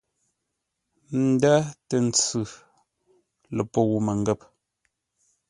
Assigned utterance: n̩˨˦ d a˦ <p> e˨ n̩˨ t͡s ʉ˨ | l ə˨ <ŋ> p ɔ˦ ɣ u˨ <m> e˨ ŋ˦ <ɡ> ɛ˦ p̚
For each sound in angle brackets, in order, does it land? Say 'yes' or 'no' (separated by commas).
no, no, yes, yes